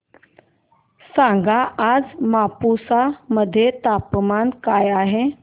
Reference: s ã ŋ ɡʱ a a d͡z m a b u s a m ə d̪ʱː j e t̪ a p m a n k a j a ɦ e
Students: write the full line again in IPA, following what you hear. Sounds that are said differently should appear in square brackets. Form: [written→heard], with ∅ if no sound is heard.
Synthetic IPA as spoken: s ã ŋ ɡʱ a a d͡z m a [b→p] u s a m ə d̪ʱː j e t̪ a p m a n k a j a ɦ e

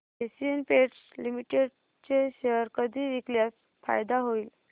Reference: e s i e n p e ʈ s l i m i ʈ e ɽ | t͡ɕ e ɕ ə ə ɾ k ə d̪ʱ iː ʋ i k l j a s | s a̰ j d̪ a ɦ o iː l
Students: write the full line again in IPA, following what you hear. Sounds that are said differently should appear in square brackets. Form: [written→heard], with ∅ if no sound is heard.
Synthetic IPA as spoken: e s i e n p e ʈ s l i m i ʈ e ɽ | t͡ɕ e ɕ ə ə ɾ k ə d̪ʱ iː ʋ i k l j a s | [s→f] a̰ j d̪ a ɦ o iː l

